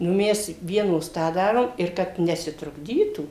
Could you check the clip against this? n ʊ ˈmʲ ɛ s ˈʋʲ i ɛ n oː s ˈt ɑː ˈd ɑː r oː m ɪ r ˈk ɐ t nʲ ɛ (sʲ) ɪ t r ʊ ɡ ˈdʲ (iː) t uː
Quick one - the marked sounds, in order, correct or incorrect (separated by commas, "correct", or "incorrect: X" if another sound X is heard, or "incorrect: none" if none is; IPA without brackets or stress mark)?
correct, correct